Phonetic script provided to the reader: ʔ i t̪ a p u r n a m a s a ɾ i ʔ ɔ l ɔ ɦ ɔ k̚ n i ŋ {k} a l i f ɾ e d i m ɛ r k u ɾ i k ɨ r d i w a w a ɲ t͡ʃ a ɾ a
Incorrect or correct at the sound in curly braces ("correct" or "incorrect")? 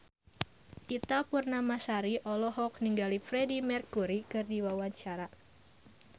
incorrect